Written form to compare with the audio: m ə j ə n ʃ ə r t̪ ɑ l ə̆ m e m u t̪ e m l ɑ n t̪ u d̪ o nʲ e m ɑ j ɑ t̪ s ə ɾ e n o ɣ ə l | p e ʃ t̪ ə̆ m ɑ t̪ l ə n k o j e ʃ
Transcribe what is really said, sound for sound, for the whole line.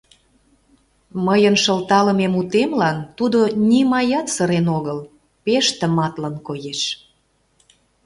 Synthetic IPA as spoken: m ə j ə n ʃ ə l t̪ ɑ l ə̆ m e m u t̪ e m l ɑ n t̪ u d̪ o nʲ i m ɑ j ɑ t̪ s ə ɾ e n o ɣ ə l | p e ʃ t̪ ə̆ m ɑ t̪ l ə n k o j e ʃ